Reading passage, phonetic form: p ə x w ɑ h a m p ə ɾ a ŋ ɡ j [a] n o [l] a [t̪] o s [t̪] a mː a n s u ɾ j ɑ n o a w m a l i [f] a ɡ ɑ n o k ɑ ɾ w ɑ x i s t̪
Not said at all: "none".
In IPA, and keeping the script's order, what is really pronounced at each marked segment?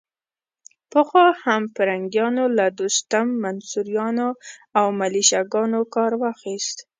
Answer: ɑ, l, d̪, t̪, ʃ

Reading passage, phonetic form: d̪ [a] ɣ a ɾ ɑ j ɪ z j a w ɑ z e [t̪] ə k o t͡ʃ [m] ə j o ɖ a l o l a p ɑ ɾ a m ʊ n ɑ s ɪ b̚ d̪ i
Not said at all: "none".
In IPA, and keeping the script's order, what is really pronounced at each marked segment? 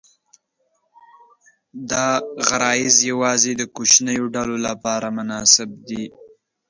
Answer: ɑ, d̪, n

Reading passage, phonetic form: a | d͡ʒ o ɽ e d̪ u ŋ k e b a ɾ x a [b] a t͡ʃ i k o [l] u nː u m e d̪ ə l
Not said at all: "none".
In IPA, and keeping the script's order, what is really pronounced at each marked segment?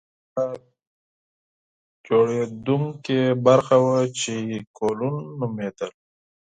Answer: w, l

